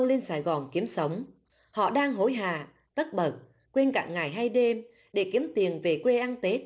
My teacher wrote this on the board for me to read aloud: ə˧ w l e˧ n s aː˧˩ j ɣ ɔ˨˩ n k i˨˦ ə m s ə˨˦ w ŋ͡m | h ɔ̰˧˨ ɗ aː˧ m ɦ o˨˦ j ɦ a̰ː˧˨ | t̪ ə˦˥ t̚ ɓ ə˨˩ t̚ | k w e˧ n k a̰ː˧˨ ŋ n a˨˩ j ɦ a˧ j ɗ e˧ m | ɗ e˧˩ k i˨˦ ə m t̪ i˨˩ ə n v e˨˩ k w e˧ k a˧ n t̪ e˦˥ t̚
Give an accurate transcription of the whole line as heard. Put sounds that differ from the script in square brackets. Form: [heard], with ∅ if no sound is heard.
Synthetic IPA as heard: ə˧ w l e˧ n s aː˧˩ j ɣ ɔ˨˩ n k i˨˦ ə m s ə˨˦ w ŋ͡m | h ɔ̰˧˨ ɗ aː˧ [ŋ] ɦ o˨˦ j ɦ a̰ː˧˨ | t̪ ə˦˥ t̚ ɓ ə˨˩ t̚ | k w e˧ n k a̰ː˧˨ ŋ [ŋ] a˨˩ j ɦ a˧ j ɗ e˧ m | ɗ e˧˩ k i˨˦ ə m t̪ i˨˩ ə n v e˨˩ k w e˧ [ʔ] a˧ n t̪ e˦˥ t̚